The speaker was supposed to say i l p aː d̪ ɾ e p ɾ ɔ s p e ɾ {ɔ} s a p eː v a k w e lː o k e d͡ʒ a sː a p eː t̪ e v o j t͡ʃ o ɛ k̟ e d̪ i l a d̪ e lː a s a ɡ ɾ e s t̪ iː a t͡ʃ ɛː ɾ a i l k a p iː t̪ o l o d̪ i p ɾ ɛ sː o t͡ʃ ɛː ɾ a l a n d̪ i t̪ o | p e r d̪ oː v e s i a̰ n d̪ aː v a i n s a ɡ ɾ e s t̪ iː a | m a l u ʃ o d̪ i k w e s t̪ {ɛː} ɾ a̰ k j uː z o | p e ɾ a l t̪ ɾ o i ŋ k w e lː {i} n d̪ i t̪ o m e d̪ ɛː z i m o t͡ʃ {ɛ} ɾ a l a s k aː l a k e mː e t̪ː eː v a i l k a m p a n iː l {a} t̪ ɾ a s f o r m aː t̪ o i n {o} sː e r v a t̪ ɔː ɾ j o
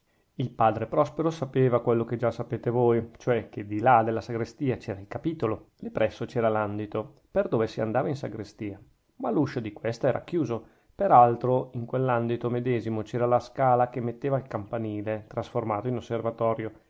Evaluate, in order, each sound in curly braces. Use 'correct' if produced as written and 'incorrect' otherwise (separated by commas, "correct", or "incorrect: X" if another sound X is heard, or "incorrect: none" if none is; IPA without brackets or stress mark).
incorrect: o, correct, incorrect: a, incorrect: ɛː, incorrect: e, correct